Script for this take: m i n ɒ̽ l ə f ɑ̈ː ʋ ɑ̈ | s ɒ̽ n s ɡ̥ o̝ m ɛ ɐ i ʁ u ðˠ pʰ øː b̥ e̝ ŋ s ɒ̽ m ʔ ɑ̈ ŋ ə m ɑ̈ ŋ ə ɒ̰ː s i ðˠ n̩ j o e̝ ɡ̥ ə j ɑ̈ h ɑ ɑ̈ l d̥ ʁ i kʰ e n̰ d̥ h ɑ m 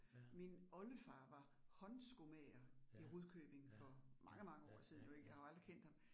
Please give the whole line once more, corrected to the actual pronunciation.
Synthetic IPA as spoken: m i n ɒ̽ l ə f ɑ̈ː ʋ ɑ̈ | h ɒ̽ n s ɡ̥ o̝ m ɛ ɐ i ʁ u ðˠ kʰ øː b̥ e̝ ŋ f ɒ̽ m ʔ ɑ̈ ŋ ə m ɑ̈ ŋ ə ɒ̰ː s i ðˠ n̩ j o e̝ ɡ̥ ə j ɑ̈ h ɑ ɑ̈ l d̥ ʁ i kʰ e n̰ d̥ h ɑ m